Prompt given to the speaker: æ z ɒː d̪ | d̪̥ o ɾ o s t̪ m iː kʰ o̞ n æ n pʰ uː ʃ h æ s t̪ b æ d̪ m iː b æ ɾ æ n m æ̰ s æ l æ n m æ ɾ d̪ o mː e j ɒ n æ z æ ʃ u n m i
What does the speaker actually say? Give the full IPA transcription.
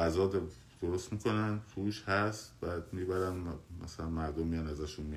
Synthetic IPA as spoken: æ z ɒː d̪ | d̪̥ o ɾ o s t̪ m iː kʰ o̞ n æ n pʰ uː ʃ h æ s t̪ b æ d̪ m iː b æ ɾ æ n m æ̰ s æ l æ n m æ ɾ d̪ o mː i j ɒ n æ z æ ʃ u n m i